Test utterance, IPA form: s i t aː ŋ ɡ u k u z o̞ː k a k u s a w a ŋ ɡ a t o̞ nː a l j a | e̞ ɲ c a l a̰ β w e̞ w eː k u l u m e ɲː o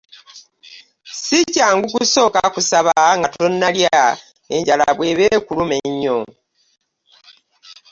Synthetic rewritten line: s i c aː ŋ ɡ u k u s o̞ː k a k u s a β a ŋ ɡ a t o̞ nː a l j a | e̞ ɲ ɟ a l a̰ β w e̞ β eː k u l u m e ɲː o